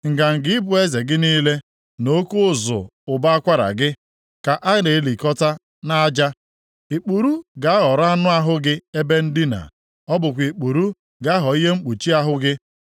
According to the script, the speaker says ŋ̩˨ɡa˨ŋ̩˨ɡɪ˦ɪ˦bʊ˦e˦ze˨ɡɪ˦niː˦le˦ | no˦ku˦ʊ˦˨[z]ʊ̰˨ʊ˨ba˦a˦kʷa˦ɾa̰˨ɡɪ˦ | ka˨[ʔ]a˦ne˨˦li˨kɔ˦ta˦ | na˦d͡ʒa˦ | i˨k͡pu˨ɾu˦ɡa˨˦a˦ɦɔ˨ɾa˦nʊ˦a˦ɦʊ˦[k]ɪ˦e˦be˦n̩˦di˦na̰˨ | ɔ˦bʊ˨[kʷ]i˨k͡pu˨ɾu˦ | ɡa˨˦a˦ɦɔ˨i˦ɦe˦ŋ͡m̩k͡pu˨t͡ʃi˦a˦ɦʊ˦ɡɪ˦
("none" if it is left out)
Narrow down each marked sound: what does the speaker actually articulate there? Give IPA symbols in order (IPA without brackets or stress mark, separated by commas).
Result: z, ʔ, ɡ, kʷ